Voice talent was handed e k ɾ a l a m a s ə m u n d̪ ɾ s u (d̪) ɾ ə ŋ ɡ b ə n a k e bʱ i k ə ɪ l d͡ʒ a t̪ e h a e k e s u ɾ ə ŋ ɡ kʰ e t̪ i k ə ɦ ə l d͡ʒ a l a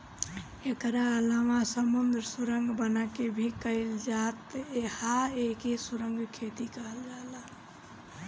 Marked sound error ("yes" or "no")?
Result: yes